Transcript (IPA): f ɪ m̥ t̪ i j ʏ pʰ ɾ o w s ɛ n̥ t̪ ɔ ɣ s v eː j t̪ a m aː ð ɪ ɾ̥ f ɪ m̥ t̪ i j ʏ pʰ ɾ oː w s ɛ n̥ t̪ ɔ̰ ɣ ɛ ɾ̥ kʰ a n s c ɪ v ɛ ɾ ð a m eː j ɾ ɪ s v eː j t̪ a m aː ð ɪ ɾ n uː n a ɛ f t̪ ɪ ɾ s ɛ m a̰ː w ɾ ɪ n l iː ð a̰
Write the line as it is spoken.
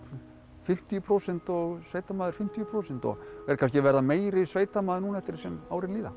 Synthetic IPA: f ɪ m̥ t̪ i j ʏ pʰ ɾ o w s ɛ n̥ t̪ ɔ ɣ s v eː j t̪ a m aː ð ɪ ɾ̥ f ɪ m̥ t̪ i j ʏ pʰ ɾ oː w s ɛ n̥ t̪ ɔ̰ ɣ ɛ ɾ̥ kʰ a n s c ɪ v ɛ ɾ ð a m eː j ɾ ɪ s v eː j t̪ a m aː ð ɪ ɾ n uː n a ɛ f t̪ ɪ ɾ s ɛ m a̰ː w ɾ ɪ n l iː ð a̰